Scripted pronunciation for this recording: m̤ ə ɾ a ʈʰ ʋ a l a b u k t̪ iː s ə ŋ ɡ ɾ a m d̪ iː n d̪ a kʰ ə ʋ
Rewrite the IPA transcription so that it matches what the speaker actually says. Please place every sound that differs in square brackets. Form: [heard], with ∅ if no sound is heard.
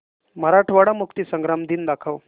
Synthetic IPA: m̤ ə ɾ a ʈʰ ʋ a [ɽ] a [m] u k t̪ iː s ə ŋ ɡ ɾ a m d̪ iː n d̪ a kʰ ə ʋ